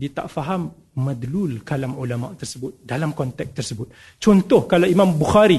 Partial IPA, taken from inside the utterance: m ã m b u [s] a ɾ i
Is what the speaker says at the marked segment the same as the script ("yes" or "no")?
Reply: no